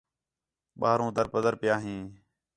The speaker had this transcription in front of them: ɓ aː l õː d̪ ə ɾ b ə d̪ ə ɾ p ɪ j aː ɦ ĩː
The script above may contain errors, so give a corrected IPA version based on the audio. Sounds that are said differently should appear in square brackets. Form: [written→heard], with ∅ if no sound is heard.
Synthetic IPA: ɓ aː [l→ɾ] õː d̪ ə ɾ [b→p] ə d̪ ə ɾ p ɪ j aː ɦ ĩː